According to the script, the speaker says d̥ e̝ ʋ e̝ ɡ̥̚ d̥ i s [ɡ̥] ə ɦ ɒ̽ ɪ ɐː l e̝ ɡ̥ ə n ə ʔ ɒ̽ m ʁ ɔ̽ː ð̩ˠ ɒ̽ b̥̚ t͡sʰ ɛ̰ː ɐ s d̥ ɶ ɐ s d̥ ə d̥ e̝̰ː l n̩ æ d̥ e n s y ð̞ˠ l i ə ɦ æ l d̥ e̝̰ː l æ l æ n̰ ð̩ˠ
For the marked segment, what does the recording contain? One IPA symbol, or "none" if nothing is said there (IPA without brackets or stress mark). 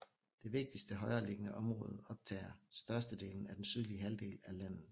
d̥